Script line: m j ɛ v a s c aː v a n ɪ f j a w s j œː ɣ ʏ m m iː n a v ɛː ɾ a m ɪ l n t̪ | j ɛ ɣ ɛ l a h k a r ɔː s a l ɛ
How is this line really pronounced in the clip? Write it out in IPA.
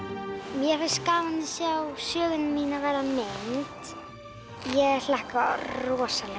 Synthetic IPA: m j ɛ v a s k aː v a n ɪ s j a w s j œː ɣ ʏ n m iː n a v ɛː ɾ a m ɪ n t̪ | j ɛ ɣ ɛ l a h k a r ɔː s a l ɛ